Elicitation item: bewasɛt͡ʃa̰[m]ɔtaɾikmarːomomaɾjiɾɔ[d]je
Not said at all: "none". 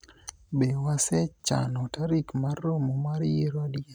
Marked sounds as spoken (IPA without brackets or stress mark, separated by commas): n, d